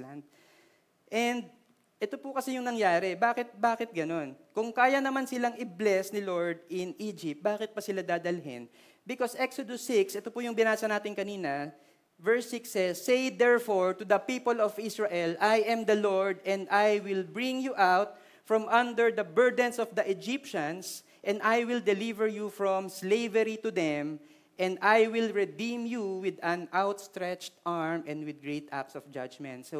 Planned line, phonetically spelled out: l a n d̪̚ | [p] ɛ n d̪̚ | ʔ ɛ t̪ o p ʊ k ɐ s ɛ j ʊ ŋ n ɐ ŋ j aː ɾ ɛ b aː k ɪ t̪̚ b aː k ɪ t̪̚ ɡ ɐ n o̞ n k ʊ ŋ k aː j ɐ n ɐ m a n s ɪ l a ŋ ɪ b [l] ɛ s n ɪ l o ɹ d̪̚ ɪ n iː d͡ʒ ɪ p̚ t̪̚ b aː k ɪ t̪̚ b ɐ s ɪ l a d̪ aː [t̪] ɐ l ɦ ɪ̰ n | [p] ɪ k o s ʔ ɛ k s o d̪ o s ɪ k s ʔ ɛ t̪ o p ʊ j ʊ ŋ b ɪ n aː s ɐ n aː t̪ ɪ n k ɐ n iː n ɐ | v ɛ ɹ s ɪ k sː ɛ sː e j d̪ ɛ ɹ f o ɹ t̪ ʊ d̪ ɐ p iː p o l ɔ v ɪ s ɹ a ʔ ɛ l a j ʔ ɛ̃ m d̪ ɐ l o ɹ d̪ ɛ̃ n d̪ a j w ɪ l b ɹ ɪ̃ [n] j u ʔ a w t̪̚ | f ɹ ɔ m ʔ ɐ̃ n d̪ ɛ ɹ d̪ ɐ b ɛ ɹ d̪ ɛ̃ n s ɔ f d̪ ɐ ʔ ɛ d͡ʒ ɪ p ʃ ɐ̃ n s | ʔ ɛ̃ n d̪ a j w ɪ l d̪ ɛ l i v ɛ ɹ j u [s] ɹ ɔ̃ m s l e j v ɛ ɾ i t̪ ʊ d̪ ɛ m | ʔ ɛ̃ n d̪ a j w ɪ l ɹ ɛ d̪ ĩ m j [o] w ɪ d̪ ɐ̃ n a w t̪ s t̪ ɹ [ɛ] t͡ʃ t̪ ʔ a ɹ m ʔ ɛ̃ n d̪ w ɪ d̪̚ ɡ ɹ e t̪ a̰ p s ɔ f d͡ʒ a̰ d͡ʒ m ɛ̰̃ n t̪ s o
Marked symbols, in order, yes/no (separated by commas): no, yes, no, no, no, no, no, yes